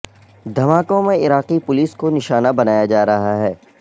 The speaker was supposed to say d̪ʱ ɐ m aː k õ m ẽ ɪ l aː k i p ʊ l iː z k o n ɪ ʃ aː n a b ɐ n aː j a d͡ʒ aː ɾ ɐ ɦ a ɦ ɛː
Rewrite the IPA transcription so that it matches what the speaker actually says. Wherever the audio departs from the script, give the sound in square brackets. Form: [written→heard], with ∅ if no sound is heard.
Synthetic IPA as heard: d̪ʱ ɐ m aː k õ m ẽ ɪ [l→ɾ] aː [k→q] i p ʊ l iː [z→s] k o n ɪ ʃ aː n a b ɐ n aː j a d͡ʒ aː ɾ ɐ ɦ a ɦ ɛː